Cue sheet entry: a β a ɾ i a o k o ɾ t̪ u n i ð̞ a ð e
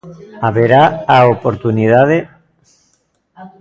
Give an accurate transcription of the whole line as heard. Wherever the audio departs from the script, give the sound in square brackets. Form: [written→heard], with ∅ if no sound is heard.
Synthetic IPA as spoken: a β [a→e] ɾ [i→a] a o [k→p] o ɾ t̪ u n i ð̞ a ð e